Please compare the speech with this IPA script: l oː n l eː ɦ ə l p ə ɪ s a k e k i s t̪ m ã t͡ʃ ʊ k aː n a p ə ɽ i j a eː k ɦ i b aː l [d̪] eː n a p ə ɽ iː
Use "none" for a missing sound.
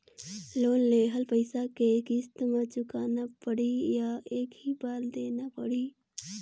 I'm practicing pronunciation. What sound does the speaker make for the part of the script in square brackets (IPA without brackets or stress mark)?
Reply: d̪